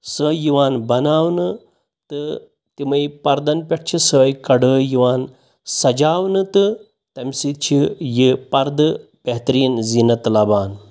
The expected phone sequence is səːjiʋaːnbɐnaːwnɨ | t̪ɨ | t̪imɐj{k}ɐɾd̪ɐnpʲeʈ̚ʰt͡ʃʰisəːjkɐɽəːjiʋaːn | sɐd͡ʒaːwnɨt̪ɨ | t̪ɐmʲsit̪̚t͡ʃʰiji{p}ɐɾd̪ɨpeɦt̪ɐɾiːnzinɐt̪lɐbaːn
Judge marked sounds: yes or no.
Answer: no, yes

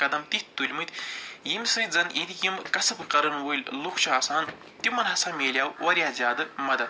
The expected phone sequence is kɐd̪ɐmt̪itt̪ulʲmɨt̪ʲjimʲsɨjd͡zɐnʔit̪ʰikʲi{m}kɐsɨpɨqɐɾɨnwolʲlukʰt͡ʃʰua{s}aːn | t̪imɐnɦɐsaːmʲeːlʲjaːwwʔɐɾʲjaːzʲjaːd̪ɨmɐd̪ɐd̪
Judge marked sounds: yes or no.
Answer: yes, yes

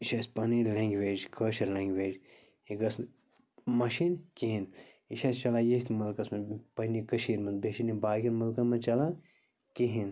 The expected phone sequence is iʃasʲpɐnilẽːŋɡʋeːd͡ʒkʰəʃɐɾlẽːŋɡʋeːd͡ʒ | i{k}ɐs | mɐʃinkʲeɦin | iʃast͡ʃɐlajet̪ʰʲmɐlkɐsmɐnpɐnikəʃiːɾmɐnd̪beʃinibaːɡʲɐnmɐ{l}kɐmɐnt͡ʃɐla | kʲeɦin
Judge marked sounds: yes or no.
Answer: no, yes

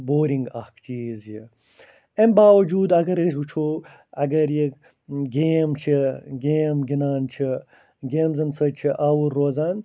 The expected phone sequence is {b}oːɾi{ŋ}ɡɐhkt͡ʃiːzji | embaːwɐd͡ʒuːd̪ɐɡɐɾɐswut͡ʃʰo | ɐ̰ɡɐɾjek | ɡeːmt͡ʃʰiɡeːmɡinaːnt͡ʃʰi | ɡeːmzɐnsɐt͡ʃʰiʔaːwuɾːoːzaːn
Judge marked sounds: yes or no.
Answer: yes, yes

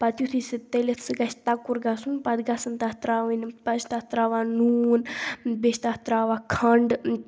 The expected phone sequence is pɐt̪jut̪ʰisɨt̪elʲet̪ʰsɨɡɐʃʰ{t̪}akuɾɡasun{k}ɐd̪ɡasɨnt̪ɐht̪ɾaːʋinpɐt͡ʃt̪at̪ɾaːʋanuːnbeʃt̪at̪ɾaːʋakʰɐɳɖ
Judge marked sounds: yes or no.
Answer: yes, no

